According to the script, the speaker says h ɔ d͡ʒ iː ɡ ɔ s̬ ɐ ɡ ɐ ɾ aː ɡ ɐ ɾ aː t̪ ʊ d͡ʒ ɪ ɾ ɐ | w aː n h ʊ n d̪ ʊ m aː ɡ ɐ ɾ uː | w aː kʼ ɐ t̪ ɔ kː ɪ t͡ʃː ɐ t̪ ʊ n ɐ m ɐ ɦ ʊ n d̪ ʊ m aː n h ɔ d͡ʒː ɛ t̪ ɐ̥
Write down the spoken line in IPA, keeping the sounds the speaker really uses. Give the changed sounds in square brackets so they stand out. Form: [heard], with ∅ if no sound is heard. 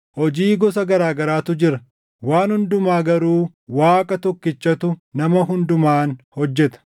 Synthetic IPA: h ɔ d͡ʒ iː ɡ ɔ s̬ ɐ ɡ ɐ ɾ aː ɡ ɐ ɾ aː t̪ ʊ d͡ʒ ɪ ɾ ɐ | w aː n h ʊ n d̪ ʊ m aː ɡ ɐ ɾ uː | w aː kʼ ɐ t̪ ɔ kː ɪ t͡ʃː ɐ t̪ ʊ n ɐ m ɐ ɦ ʊ n d̪ ʊ m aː n h ɔ d͡ʒː ɛ t̪ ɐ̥